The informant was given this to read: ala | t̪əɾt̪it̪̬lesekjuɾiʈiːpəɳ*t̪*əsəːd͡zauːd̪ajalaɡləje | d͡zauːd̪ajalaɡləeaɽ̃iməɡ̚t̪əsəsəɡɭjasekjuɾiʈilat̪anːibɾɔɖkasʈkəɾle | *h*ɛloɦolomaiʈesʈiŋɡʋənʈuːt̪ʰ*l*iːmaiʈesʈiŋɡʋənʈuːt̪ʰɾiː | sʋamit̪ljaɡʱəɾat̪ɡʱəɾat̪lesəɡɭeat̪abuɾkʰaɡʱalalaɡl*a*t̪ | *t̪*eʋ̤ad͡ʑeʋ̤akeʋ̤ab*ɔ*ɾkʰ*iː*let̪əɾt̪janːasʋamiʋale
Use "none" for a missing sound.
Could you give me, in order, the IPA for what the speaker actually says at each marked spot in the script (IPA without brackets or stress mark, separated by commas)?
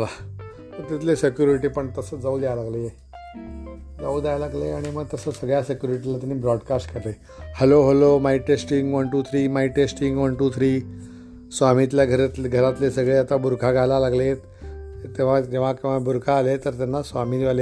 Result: t̪, h, ɾ, e, t̪, u, aː